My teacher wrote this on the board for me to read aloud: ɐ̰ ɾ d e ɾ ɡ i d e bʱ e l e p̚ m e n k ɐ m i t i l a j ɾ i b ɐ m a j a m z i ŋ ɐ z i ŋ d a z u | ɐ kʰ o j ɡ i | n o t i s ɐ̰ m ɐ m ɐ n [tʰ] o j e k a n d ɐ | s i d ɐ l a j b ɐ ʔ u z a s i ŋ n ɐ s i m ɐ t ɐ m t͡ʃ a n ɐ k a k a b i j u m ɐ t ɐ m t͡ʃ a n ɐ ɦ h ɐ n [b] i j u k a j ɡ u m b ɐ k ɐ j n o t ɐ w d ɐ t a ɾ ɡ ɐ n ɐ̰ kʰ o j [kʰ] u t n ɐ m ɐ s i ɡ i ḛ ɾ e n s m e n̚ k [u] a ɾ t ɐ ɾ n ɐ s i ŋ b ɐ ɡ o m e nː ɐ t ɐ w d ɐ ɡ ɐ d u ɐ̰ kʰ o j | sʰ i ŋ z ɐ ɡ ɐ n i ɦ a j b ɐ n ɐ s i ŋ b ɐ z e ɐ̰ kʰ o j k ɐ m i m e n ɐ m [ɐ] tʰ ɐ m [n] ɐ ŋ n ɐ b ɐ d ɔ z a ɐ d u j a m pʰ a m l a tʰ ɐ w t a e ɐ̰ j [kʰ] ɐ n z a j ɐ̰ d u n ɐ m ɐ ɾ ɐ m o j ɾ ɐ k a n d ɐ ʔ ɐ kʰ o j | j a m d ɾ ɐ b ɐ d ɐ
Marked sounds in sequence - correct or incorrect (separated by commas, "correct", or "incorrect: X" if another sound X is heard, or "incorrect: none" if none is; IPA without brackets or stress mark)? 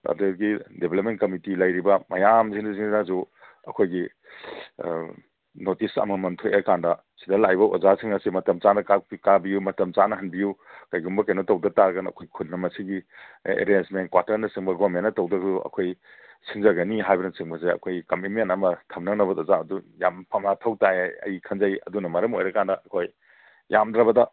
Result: correct, correct, correct, incorrect: w, correct, correct, correct